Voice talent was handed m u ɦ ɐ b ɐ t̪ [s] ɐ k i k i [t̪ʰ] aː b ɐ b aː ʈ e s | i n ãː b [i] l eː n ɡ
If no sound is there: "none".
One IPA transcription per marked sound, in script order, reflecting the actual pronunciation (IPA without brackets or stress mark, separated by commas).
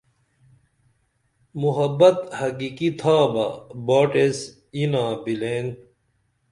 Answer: h, t̪ʰ, i